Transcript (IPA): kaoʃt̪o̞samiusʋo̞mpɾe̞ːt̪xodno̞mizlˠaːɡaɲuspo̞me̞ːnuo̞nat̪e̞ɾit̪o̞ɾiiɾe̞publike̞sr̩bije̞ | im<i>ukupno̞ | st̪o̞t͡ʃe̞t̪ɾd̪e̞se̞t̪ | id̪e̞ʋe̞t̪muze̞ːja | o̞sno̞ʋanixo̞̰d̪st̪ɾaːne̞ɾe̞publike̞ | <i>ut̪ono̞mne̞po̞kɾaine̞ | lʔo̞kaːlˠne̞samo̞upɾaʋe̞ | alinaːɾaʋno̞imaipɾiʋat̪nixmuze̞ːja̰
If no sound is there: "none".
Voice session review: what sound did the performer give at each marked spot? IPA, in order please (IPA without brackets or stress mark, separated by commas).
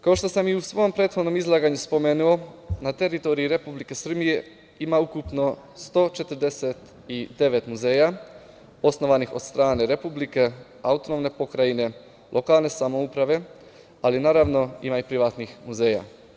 a, a